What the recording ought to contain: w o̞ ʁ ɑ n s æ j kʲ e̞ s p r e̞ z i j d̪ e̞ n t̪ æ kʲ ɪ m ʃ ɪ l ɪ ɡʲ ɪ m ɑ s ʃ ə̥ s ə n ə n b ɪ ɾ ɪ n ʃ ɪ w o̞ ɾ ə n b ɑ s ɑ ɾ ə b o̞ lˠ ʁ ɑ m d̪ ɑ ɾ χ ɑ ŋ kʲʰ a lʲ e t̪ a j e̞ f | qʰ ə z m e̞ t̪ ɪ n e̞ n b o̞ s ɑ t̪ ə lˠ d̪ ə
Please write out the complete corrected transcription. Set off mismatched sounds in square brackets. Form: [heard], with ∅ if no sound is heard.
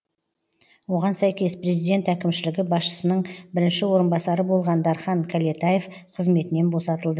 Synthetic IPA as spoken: w o̞ ʁ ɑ n s æ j kʲ e̞ s p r e̞ z i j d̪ e̞ n t̪ æ kʲ ɪ m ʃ ɪ l ɪ ɡʲ ɪ [b] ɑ s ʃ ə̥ s ə n ə [ɴ] b ɪ ɾ ɪ n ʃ ɪ w o̞ ɾ ə n b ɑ s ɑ ɾ ə b o̞ lˠ ʁ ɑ [n] d̪ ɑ ɾ χ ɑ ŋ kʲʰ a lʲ e t̪ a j e̞ f | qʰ ə z m e̞ t̪ ɪ n e̞ n b o̞ s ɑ t̪ ə lˠ d̪ ə